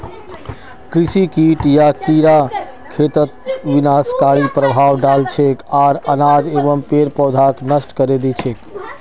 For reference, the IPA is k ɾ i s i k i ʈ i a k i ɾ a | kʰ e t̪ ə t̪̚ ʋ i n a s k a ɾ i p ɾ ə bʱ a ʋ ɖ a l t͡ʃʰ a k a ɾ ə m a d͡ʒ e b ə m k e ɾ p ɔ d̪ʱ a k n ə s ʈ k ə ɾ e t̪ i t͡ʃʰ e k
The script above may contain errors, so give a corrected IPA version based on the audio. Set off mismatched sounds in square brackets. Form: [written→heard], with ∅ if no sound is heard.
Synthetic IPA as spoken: k ɾ i s i k i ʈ [i→j] a k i ɾ a | kʰ e t̪ ə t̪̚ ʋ i n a s k a ɾ i p ɾ ə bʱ a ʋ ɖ a l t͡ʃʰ [a→e] k a ɾ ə [m→n] a d͡ʒ e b ə m [k→p] e ɾ p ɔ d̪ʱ a k n ə s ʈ k ə ɾ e [t̪→d̪] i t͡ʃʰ e k

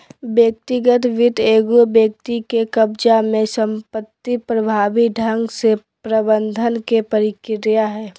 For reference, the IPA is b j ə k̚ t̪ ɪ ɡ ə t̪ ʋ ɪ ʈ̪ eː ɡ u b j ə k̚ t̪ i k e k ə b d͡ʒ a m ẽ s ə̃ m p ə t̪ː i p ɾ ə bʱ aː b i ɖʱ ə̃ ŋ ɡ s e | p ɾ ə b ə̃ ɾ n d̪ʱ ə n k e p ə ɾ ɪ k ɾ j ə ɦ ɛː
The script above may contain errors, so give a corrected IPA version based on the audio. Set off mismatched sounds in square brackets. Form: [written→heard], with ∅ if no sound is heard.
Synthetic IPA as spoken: b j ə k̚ t̪ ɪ ɡ ə t̪ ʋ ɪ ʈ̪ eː ɡ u b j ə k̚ t̪ i k e k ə b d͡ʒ a m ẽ s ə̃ m p ə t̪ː i p ɾ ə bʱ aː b i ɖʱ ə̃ ŋ ɡ s e | p ɾ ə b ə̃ [ɾ→∅] n d̪ʱ ə n k e p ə ɾ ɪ k ɾ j [ə→a] ɦ ɛː

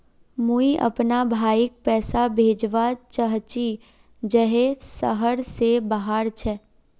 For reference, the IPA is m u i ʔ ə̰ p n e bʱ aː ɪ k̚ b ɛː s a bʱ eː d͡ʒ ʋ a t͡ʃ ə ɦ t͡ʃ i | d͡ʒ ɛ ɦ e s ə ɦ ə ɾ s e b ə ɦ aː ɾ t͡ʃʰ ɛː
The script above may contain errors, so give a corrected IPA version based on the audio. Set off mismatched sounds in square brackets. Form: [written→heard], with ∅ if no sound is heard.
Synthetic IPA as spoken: m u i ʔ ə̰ p n [e→a] bʱ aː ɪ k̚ [b→p] ɛː s a bʱ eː d͡ʒ ʋ a t͡ʃ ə ɦ t͡ʃ i | d͡ʒ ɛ ɦ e s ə ɦ ə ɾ s e b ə ɦ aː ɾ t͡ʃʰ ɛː

